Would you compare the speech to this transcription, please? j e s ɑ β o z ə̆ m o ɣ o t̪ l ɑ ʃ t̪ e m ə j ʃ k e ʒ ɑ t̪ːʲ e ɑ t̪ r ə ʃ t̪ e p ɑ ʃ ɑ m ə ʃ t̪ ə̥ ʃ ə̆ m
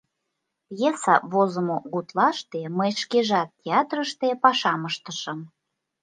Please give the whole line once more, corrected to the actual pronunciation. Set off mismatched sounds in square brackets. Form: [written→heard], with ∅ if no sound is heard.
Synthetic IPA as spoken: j e s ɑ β o z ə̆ m o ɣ [o→u] t̪ l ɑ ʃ t̪ e m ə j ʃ k e ʒ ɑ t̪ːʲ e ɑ t̪ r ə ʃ t̪ e p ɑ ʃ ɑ m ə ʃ t̪ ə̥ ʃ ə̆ m